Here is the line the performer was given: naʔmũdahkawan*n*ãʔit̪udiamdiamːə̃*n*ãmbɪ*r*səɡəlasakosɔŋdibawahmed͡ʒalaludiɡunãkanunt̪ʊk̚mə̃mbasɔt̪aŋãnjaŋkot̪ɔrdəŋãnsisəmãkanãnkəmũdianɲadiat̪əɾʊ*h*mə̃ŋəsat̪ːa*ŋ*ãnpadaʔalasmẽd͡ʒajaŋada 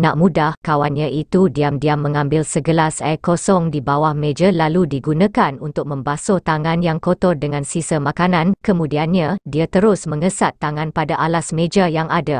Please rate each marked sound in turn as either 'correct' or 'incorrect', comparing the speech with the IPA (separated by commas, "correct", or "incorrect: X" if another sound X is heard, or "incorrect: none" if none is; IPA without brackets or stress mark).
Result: incorrect: ɲ, incorrect: ŋ, incorrect: l, incorrect: s, correct